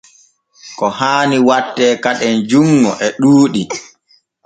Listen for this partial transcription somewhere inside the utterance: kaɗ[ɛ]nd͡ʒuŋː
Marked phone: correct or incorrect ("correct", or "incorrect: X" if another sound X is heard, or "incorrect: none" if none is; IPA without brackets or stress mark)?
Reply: correct